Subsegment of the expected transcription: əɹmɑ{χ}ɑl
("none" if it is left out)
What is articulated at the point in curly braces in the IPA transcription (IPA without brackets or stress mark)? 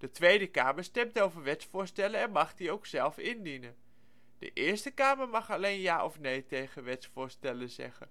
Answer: χ